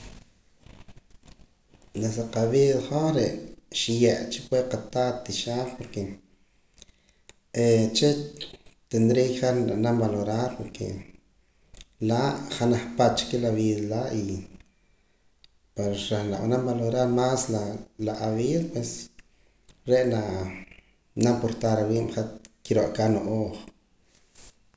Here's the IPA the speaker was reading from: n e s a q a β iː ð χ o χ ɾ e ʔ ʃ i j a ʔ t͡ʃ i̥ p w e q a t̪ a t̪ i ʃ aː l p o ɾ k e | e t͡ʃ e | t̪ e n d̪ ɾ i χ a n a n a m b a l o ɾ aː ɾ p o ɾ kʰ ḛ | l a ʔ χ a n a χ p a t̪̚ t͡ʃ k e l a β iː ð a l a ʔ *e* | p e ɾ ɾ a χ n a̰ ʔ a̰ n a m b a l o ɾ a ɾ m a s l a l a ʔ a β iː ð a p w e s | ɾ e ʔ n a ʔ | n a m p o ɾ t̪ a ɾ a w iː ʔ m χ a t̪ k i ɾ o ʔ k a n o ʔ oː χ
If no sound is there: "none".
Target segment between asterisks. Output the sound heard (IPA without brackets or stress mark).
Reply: i